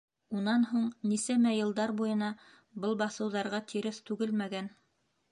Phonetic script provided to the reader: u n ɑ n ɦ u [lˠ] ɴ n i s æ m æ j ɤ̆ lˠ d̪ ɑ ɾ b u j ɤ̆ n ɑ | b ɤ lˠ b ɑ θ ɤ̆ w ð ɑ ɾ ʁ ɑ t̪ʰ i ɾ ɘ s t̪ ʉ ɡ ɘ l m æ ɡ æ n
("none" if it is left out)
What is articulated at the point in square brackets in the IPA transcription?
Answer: none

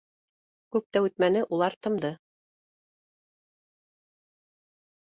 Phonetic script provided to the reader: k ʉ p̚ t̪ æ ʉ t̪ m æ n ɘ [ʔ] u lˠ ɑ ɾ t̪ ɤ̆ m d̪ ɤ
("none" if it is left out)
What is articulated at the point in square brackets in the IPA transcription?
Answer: ʔ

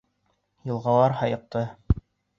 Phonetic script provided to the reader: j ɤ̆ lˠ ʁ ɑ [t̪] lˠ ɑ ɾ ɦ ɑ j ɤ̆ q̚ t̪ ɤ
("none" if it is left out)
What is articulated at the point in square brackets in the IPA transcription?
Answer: none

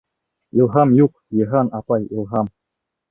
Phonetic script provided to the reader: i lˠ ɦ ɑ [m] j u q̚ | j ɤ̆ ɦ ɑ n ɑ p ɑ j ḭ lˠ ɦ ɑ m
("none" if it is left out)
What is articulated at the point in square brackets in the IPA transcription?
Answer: m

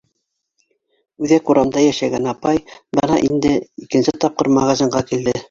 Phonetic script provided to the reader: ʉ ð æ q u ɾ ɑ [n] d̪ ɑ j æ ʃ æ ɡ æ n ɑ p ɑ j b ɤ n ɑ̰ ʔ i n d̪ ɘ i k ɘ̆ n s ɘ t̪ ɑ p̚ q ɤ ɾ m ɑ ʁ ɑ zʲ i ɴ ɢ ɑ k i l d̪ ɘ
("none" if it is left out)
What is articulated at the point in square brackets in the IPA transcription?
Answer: m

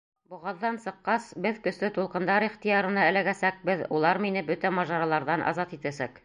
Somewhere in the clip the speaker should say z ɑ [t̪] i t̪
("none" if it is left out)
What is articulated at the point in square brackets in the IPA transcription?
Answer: t̪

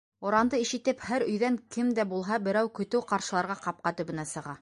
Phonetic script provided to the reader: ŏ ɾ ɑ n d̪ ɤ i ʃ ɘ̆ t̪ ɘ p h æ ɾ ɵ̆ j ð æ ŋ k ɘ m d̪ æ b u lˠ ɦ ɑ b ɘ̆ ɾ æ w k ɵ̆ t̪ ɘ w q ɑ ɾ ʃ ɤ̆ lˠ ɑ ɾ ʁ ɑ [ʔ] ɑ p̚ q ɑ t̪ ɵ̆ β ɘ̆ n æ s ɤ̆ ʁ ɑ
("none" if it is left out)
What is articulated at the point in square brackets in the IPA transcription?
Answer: q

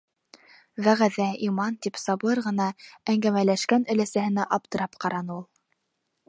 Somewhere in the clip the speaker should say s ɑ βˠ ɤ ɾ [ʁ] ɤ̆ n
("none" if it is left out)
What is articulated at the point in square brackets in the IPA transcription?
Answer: ʁ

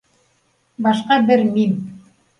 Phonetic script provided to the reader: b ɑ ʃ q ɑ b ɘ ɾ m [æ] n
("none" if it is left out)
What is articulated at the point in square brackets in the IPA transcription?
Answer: i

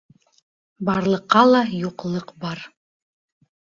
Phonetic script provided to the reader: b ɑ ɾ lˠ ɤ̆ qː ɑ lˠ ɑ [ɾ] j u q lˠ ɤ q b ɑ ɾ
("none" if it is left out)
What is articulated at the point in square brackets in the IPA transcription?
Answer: none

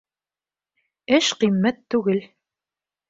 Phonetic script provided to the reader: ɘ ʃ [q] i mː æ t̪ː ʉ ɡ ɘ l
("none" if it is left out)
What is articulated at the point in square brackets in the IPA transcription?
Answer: q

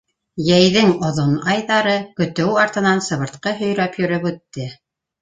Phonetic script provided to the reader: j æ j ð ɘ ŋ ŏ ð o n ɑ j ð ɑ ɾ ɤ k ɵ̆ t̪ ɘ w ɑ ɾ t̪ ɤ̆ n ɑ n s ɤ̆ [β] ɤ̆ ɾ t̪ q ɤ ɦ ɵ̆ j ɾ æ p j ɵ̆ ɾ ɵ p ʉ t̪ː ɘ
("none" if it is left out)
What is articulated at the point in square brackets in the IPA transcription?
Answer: β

